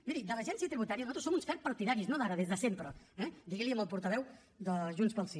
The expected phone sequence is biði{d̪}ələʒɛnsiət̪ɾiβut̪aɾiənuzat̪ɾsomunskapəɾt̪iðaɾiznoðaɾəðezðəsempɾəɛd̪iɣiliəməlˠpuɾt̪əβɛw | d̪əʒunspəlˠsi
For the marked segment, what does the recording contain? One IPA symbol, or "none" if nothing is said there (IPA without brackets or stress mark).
d̪